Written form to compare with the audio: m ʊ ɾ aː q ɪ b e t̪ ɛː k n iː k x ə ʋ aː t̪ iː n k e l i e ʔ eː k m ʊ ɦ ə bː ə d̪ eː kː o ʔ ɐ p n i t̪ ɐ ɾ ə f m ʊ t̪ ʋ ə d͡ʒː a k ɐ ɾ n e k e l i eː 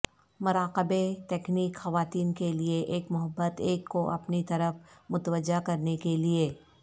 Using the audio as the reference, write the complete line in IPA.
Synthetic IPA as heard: m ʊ ɾ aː q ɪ b e t̪ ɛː k n iː k x ɐ ʋ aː t̪ iː n k e l i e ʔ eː k m ʊ ɦ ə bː ə t̪ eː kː o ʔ ɐ p n i t̪ ɐ ɾ ə f m ʊ t̪ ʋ ə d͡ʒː a k ɐ ɾ n e k e l i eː